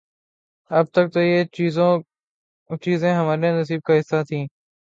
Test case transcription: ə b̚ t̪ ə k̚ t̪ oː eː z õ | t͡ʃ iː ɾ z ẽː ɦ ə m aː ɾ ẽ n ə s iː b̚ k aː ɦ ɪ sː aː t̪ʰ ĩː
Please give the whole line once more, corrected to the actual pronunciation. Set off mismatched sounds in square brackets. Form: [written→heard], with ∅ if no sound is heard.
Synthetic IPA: ə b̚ t̪ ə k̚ t̪ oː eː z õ | t͡ʃ iː [ɾ→∅] z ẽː ɦ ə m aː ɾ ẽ n ə s iː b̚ k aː ɦ ɪ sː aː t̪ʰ ĩː